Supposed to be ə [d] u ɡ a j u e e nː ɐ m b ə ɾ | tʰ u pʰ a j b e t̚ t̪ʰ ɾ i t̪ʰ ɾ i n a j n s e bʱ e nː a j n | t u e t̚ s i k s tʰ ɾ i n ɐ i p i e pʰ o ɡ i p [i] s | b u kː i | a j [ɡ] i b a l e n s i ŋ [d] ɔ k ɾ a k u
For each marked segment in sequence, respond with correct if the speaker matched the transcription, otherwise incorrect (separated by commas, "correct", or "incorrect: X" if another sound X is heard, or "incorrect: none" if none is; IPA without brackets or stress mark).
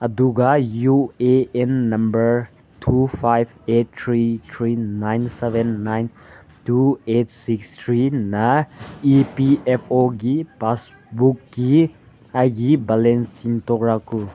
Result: correct, incorrect: a, correct, incorrect: t